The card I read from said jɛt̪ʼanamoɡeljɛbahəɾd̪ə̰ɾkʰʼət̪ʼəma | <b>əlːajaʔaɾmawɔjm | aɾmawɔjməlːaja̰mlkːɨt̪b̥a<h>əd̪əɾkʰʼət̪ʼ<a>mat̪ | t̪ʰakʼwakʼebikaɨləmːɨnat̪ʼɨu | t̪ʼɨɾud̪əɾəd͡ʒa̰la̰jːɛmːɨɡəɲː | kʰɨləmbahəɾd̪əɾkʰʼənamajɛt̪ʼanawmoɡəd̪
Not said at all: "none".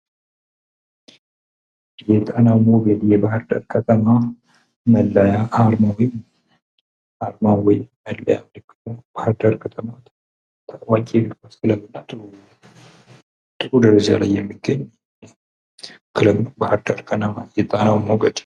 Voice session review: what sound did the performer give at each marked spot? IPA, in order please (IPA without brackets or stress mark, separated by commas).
m, h, ə